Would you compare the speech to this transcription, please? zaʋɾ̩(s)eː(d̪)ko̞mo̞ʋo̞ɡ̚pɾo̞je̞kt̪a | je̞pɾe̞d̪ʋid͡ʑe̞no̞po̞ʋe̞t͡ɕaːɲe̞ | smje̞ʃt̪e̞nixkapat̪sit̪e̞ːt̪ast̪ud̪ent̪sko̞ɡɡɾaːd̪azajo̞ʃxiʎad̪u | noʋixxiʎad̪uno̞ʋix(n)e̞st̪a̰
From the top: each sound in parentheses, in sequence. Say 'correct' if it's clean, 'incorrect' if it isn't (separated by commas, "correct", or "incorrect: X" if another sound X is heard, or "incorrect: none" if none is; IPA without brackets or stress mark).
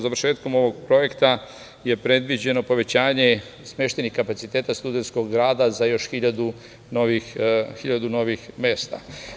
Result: incorrect: ʃ, incorrect: t̪, incorrect: m